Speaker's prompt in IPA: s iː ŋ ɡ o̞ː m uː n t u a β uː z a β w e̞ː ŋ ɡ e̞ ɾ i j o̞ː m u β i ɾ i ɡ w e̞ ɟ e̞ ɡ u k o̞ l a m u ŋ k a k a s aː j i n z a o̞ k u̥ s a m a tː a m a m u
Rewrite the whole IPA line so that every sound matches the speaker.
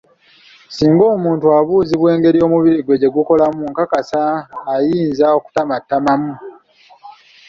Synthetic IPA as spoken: s iː ŋ ɡ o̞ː m uː n t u a β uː z i β w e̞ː ŋ ɡ e̞ ɾ i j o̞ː m u β i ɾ i ɡ w e̞ ɟ e̞ ɡ u k o̞ l a m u ŋ k a k a s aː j iː n z a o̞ k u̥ t a m a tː a m a m u